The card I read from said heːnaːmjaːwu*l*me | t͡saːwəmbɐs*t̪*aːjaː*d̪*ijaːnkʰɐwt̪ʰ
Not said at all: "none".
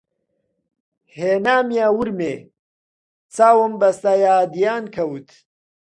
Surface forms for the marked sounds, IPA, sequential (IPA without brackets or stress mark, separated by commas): ɾ, t̪, d̪